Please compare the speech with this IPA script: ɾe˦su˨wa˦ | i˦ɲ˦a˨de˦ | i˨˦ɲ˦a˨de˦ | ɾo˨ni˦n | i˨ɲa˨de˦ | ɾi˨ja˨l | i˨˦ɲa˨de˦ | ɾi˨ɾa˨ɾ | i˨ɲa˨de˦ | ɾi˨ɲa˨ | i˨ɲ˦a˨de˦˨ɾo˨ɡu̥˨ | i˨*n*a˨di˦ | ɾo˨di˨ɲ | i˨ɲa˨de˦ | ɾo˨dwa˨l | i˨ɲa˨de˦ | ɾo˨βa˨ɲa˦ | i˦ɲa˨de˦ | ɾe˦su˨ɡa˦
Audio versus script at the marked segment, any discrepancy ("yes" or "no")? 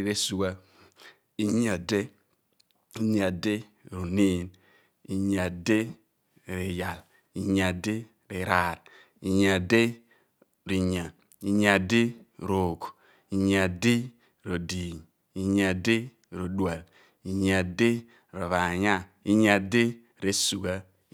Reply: yes